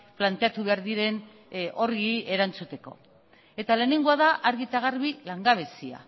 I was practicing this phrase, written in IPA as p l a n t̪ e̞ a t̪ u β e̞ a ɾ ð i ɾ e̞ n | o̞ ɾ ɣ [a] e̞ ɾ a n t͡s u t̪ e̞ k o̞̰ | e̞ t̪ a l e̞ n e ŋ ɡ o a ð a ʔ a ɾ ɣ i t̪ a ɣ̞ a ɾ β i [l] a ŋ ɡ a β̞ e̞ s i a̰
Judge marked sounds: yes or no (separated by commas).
no, yes